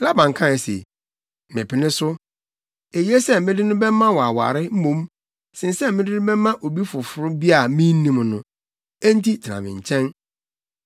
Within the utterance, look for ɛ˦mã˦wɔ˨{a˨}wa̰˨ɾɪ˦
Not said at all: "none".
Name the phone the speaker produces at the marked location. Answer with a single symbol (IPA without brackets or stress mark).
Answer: a˨